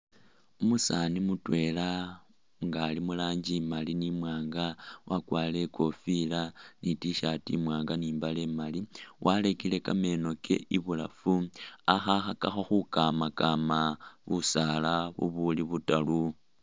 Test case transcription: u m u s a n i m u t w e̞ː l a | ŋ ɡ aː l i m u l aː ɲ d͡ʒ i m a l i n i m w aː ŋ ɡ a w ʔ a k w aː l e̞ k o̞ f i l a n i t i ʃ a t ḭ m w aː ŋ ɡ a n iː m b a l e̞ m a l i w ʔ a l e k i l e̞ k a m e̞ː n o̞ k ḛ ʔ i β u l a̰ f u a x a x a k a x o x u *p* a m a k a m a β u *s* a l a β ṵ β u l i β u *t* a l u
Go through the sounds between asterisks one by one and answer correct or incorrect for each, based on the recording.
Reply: incorrect: k, correct, correct

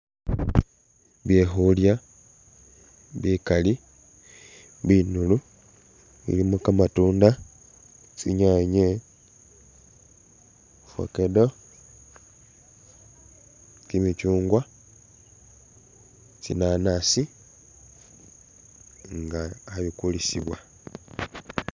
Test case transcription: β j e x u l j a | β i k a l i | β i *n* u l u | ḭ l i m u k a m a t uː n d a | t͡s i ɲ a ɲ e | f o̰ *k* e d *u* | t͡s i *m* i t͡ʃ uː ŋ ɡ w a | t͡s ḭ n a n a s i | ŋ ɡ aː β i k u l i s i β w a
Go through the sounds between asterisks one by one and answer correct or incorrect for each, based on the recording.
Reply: correct, correct, incorrect: o, correct

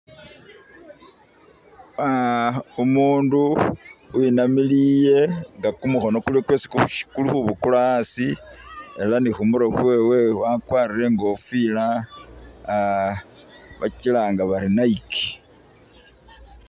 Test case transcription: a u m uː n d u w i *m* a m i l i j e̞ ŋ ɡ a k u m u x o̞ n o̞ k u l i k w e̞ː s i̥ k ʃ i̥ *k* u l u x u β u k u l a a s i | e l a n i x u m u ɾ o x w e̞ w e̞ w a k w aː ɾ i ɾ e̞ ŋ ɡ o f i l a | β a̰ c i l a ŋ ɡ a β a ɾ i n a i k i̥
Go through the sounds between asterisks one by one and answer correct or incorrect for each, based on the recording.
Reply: incorrect: n, correct

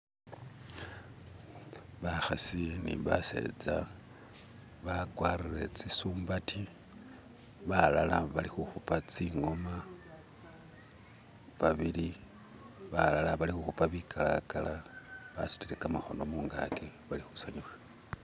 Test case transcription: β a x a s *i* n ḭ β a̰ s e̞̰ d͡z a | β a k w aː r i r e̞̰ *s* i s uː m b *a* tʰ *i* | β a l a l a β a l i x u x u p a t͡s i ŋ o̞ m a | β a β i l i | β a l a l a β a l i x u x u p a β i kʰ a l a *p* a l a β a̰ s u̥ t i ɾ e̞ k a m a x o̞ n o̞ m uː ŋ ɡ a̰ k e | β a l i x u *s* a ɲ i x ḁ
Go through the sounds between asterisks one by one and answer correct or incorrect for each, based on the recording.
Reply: correct, incorrect: t͡s, correct, correct, incorrect: k, correct

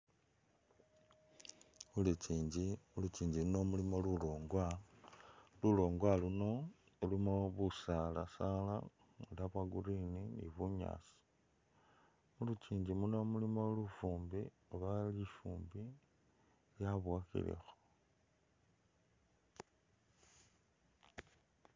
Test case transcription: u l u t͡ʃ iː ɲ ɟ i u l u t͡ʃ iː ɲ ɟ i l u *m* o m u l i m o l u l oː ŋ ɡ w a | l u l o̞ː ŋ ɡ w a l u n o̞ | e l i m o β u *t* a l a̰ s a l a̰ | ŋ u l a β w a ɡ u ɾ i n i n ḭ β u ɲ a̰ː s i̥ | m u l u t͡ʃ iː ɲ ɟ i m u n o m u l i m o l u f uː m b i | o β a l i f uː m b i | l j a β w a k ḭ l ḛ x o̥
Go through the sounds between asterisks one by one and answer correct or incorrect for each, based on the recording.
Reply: incorrect: n, incorrect: s

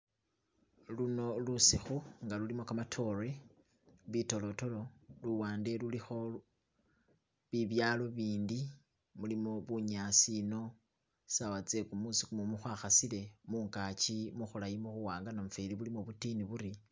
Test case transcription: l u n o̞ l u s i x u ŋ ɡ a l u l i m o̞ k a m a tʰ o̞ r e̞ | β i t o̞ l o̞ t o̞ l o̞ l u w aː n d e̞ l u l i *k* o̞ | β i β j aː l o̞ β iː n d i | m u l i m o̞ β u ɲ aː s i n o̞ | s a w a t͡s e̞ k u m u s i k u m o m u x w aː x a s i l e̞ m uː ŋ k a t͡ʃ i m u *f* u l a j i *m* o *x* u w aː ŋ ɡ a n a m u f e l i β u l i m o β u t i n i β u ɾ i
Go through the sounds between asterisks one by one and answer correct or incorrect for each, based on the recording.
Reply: incorrect: x, incorrect: x, correct, correct

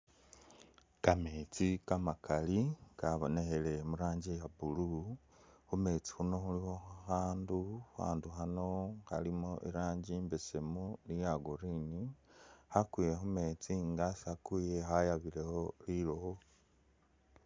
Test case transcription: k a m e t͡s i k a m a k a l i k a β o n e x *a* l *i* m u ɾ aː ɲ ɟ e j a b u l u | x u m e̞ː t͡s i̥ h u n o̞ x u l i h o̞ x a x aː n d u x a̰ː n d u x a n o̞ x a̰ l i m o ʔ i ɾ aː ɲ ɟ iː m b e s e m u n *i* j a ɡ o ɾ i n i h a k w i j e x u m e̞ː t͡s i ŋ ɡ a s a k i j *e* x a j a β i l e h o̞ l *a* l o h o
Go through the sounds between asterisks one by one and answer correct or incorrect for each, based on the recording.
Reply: incorrect: e, incorrect: e, correct, correct, incorrect: i

